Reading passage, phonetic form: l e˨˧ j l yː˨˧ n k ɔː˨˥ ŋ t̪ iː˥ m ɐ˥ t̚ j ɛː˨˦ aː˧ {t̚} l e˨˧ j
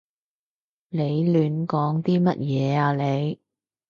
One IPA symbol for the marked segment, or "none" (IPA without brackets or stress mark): none